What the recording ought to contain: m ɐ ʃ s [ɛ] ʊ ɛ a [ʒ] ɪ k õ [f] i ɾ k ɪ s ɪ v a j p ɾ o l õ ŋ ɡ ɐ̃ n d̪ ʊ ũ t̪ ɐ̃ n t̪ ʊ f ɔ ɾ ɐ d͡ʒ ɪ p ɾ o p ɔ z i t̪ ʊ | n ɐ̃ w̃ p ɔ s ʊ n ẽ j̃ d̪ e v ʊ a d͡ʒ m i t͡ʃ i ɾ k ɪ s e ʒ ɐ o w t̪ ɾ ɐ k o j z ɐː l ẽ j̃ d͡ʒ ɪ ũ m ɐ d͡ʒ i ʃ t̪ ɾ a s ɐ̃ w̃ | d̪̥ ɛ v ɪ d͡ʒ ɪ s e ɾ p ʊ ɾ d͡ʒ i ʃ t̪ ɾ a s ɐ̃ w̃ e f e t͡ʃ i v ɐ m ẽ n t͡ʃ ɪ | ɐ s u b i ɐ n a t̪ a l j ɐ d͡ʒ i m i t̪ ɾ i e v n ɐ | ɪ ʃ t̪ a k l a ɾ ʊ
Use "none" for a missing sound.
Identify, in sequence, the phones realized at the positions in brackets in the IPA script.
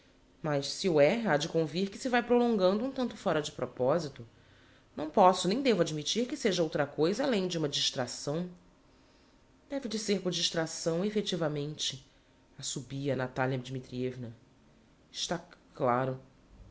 i, d͡ʒ, v

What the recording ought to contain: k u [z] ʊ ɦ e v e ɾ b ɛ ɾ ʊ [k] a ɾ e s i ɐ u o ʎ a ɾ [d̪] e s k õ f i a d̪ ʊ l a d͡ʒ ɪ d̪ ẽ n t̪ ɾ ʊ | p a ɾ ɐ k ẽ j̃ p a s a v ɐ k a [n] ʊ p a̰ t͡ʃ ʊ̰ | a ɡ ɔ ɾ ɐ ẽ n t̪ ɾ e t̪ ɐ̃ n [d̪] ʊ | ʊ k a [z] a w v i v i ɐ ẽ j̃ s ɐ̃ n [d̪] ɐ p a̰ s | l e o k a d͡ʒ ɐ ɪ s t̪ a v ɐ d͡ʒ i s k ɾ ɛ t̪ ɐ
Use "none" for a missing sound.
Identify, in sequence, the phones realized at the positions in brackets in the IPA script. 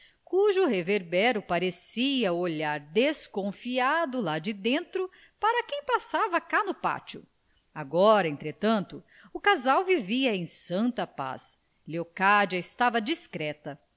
ʒ, p, d̪, n, t̪, z, t̪

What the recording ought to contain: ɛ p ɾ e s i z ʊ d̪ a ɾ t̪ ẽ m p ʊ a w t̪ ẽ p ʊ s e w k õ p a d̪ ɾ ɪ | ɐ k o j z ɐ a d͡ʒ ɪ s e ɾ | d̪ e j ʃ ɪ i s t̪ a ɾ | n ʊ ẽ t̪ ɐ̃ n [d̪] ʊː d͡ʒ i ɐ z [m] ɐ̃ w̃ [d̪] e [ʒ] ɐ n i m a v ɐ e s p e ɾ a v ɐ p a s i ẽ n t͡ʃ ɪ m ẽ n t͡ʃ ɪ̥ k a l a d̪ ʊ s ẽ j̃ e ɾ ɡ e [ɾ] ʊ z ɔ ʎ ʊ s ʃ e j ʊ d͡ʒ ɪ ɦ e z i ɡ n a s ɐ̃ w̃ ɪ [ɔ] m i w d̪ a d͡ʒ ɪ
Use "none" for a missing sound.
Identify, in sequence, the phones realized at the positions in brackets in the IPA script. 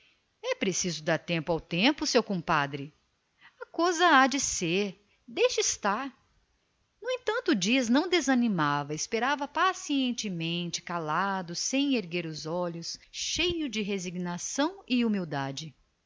t̪, n, d̪, z, ɾ, u

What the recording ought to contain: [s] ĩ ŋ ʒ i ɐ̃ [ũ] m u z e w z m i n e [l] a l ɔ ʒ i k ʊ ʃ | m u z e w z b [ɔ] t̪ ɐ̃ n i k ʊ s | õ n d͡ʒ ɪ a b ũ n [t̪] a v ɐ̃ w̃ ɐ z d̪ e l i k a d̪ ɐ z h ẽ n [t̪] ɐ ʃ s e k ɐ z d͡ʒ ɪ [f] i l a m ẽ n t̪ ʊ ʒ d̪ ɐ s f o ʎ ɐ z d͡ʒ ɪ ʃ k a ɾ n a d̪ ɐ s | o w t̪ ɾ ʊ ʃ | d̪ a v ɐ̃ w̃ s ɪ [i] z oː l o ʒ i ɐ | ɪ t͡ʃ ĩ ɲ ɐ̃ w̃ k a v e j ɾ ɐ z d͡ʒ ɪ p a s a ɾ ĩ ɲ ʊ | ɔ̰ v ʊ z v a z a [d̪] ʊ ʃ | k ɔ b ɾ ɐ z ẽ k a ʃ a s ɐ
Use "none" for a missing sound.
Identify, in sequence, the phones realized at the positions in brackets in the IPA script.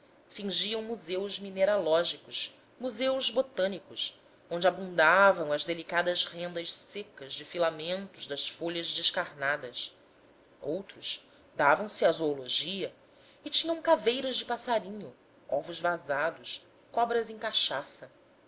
f, w̃, ɾ, o, d̪, d̪, f, a, d̪

